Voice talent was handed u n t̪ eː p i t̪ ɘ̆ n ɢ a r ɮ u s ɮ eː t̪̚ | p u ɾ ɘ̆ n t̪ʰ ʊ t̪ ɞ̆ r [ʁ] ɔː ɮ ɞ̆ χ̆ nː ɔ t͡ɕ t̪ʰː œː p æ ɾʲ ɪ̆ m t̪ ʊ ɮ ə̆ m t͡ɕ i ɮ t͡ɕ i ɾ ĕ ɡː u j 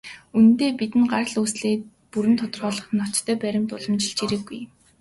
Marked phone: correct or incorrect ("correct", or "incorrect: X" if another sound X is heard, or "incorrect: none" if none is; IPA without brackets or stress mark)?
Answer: correct